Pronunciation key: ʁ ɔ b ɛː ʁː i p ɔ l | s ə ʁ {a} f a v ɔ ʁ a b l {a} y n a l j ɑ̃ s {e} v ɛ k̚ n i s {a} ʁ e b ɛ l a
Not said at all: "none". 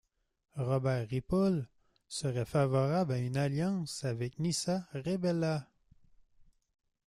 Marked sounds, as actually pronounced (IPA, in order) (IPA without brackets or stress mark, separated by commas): ɛ, a, a, a